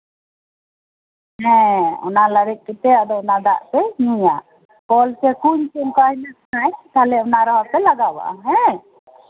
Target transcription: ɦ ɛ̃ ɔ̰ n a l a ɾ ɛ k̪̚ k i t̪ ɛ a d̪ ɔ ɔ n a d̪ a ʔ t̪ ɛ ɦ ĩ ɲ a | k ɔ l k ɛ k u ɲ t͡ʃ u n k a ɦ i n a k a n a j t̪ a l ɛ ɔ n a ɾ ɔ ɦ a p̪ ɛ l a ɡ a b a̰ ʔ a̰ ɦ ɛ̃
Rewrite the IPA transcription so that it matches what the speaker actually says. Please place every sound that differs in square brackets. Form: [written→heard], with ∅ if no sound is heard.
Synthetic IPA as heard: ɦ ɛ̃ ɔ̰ n a l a ɾ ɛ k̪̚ k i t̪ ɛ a d̪ ɔ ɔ n a d̪ a ʔ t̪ ɛ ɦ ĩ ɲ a | k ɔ l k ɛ k u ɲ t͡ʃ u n k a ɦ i n a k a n a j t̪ a l ɛ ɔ n a ɾ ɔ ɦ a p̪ ɛ l a ɡ a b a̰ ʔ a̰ ɦ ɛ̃